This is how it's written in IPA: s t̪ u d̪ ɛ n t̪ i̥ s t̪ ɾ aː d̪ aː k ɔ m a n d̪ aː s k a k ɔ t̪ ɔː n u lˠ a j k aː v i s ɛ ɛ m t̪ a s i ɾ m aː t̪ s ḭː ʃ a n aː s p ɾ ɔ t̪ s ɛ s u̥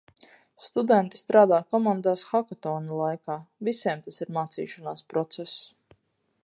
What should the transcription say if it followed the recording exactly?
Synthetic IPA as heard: s t̪ u d̪ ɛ n t̪ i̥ s t̪ ɾ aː d̪ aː k ɔ m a n d̪ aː s x a k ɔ t̪ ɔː n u lˠ a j k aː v i s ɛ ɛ m t̪ a s i ɾ m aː t̪ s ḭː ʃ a n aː s p ɾ ɔ t̪ s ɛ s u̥